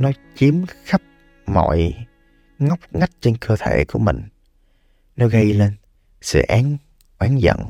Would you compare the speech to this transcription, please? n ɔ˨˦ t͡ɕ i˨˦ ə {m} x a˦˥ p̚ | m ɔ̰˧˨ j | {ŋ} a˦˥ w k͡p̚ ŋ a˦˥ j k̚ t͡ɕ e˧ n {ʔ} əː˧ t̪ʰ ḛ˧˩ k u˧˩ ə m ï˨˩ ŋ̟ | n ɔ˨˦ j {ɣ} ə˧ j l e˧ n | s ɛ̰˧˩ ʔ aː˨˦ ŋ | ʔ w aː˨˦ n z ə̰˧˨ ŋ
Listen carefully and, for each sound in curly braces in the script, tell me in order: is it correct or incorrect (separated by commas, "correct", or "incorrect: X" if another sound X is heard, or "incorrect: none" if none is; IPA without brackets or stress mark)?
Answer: correct, correct, incorrect: k, correct